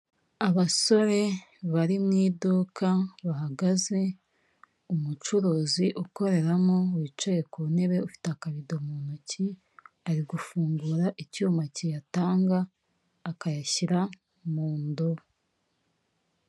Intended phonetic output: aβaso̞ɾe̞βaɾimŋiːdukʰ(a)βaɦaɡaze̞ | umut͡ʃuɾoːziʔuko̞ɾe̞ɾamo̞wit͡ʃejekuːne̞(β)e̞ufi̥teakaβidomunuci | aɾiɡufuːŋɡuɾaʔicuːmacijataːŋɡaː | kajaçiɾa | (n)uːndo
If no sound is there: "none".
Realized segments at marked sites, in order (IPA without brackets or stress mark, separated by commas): a, β, m